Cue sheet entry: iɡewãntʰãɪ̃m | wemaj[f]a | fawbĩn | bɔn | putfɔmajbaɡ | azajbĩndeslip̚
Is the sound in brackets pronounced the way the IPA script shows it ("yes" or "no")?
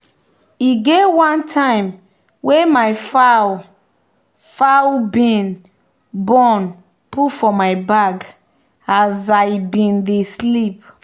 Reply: yes